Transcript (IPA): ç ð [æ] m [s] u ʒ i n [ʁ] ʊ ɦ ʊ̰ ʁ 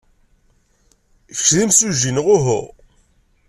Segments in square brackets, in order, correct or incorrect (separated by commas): incorrect, correct, correct